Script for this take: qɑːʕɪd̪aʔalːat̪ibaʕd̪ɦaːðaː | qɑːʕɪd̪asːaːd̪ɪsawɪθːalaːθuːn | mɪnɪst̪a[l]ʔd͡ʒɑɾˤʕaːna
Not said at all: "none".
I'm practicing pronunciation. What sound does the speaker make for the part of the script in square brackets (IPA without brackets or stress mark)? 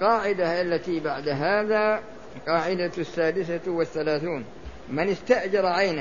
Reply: none